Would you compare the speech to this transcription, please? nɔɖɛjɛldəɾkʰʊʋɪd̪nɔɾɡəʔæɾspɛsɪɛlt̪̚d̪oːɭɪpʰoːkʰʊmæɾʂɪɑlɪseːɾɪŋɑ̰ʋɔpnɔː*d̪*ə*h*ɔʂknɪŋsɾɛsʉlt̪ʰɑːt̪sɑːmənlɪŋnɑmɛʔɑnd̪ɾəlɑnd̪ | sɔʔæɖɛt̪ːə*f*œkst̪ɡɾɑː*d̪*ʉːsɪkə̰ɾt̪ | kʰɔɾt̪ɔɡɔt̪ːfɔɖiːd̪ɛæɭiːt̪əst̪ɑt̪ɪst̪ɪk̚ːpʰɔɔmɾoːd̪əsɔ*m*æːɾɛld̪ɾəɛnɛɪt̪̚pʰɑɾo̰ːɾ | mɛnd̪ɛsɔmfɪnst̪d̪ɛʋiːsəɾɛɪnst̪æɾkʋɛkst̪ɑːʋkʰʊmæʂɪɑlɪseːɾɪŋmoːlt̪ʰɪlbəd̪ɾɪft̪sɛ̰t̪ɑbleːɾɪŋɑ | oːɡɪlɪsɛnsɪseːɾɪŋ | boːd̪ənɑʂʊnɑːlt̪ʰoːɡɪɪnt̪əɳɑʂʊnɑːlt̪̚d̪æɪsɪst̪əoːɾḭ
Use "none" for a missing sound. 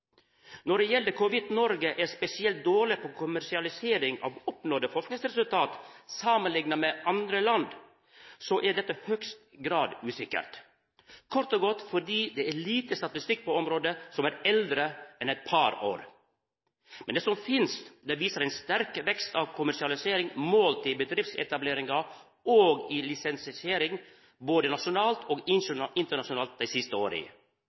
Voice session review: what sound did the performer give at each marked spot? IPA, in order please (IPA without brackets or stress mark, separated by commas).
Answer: d̪, f, h, d̪, m